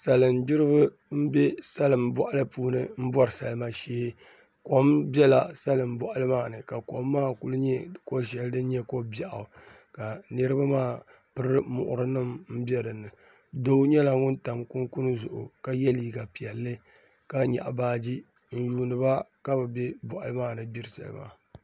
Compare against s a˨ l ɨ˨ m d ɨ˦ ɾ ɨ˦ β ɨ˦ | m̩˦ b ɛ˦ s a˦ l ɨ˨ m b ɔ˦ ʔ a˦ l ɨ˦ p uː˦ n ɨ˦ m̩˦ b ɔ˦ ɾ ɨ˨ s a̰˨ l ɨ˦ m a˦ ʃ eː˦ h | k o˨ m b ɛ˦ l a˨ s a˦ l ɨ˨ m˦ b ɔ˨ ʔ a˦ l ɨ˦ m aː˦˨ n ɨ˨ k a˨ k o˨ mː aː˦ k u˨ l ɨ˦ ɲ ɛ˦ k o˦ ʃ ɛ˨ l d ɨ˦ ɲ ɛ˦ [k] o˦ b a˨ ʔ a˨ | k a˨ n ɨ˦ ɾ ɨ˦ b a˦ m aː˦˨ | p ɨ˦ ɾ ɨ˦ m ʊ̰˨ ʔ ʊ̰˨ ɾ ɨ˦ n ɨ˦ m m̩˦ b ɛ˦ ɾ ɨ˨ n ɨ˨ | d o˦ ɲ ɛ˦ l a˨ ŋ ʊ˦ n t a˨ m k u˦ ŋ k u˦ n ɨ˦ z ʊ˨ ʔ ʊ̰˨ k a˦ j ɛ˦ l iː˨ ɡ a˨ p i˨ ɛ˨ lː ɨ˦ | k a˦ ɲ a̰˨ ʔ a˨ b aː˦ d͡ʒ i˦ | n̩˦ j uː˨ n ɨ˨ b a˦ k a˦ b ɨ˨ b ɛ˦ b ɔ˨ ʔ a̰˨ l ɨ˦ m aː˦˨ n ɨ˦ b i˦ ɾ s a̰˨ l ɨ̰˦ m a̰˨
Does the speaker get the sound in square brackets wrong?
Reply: no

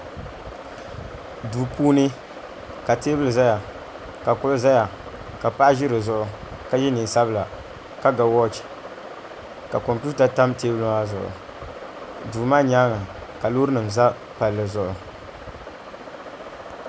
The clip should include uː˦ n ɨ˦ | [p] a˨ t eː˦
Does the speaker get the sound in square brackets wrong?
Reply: yes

